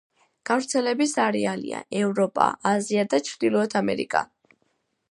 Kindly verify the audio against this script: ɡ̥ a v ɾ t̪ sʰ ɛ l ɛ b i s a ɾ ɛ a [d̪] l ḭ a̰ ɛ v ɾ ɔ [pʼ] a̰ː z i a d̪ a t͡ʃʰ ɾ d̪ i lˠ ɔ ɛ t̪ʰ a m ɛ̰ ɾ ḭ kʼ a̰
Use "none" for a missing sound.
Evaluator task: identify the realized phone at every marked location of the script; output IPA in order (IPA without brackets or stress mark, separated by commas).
none, pʼ